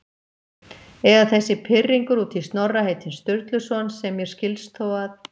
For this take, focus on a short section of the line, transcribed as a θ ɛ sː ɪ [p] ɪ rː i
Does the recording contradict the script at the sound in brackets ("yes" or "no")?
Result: yes